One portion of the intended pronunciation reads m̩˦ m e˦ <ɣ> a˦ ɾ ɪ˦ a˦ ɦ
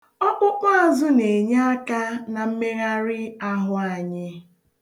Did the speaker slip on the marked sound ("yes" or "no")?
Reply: no